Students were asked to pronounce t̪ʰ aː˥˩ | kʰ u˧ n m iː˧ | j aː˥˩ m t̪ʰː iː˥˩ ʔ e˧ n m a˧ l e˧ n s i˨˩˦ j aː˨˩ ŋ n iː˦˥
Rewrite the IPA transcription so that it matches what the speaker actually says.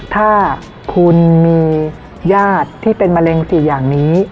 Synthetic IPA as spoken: t̪ʰ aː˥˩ | kʰ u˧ n m iː˧ | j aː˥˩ t̪ʰː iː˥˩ p e˧ n m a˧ l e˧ ŋ s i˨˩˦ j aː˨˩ ŋ n iː˦˥

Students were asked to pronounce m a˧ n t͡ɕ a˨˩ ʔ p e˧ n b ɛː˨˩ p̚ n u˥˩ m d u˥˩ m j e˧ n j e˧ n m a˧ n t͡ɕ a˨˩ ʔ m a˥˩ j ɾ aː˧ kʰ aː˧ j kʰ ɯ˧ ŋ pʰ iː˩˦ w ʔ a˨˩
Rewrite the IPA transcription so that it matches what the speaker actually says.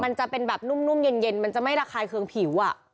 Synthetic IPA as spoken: m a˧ n t͡ɕ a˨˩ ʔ p e˧ n b ɛː˨˩ p̚ n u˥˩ m n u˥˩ m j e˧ n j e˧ n m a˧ n t͡ɕ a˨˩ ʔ m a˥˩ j ɾ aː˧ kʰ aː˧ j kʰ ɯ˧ ŋ pʰ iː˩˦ w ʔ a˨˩

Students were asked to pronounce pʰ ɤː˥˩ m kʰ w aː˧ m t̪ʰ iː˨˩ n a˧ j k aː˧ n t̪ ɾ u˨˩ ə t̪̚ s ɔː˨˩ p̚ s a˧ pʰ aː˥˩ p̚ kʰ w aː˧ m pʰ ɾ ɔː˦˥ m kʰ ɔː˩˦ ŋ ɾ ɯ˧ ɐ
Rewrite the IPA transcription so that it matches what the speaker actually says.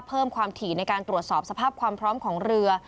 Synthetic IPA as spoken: pʰ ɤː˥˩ m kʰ w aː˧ m t̪ʰ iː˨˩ n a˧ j k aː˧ n t̪ ɾ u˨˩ ə t̪̚ s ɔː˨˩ p̚ s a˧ pʰ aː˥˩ p̚ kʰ w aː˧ m pʰ ɾ ɔː˦˥ m kʰ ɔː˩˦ ŋ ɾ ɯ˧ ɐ

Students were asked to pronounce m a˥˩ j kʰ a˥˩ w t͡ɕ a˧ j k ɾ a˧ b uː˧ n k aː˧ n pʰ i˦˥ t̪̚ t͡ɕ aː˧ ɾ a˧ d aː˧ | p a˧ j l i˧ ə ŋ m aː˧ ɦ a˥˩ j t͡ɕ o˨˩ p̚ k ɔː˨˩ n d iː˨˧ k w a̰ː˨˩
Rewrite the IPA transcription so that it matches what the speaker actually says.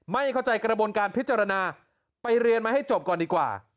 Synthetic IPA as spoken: m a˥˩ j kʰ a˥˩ w t͡ɕ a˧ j k ɾ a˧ b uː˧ n k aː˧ n pʰ i˦˥ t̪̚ t͡ɕ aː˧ ɾ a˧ n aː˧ | p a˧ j ɾ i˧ ə n m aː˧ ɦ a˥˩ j t͡ɕ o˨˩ p̚ k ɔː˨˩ n d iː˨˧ k w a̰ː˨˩

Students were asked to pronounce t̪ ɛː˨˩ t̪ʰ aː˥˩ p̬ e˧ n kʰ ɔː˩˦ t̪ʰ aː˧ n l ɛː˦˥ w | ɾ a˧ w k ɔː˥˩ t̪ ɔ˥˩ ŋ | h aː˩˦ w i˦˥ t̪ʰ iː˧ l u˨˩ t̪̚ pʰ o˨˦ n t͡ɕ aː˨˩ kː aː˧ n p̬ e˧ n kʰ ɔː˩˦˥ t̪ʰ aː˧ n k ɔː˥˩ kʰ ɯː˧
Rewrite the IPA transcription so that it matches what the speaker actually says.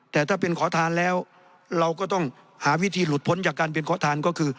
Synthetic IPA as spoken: t̪ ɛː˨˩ t̪ʰ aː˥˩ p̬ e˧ n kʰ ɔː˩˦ t̪ʰ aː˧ n l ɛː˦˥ w | ɾ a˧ w k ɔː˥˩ t̪ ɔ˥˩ ŋ | h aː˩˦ w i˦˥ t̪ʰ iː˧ l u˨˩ t̪̚ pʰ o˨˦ n t͡ɕ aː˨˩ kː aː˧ n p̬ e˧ n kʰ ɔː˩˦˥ t̪ʰ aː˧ n k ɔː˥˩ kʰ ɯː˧

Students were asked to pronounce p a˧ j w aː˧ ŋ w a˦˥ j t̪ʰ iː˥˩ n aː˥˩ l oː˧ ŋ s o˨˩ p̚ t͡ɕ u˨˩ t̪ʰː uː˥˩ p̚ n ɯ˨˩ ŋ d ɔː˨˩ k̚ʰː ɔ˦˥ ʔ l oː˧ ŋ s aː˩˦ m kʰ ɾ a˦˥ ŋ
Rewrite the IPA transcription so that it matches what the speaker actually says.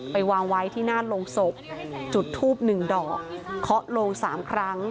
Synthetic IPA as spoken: p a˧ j w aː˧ ŋ w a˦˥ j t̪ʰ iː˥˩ n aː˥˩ l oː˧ ŋ s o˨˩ p̚ t͡ɕ u˨˩ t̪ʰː uː˥˩ p̚ n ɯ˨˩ ŋ d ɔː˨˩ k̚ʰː ɔ˦˥ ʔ l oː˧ ŋ s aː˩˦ m kʰ ɾ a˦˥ ŋ

